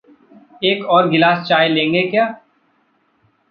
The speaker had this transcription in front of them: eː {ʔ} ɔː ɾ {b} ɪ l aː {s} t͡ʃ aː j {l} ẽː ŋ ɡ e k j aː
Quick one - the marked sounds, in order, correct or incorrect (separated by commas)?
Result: incorrect, incorrect, correct, correct